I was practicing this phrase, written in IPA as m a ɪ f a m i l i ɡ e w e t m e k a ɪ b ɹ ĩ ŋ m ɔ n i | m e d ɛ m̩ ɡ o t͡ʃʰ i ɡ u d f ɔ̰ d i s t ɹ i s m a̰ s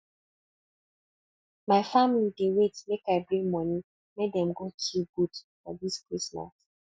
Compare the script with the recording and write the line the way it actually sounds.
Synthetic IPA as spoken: m a ɪ f a m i l i d e w e t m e k a ɪ b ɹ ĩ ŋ m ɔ n i | m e d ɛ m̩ ɡ o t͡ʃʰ i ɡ u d f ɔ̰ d i s k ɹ i s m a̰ s